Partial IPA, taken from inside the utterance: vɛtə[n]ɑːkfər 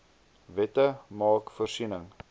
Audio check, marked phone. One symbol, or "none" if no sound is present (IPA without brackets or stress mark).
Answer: m